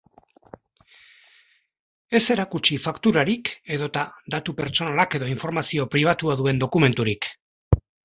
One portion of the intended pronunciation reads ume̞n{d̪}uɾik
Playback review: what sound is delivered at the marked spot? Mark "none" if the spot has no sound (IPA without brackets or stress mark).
t̪